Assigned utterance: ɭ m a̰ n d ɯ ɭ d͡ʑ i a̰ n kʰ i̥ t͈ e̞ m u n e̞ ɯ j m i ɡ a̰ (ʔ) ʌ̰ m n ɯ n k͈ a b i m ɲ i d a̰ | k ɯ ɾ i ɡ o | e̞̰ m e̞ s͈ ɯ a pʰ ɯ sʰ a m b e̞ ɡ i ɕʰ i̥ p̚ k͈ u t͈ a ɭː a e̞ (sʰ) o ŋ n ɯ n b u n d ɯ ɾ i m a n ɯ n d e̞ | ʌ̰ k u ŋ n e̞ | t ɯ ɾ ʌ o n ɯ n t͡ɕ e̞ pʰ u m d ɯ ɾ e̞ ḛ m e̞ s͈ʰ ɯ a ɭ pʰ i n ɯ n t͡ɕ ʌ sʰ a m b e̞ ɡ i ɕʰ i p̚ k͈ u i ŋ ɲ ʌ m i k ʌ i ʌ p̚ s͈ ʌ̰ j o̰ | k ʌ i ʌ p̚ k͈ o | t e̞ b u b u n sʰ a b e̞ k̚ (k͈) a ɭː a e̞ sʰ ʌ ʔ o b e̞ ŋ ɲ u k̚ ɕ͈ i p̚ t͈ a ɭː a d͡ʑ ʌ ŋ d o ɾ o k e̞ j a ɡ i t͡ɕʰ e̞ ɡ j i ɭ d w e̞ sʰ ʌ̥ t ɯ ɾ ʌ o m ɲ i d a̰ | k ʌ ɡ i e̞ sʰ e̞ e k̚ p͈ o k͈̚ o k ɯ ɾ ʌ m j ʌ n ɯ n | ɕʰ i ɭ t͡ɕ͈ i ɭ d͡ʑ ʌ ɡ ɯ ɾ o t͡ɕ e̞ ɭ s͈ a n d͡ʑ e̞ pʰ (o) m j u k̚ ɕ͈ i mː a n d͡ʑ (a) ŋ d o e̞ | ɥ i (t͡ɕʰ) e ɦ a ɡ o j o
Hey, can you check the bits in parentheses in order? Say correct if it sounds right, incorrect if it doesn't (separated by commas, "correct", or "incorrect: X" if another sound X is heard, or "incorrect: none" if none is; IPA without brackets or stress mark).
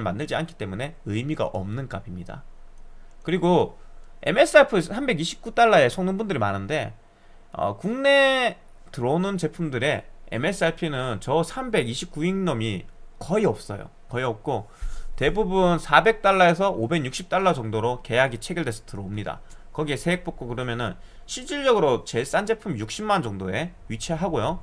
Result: correct, correct, incorrect: t͈, incorrect: u, incorrect: ʌ, correct